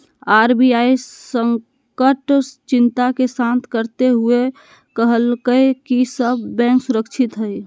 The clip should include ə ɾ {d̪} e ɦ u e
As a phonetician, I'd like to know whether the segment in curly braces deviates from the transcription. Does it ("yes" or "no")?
yes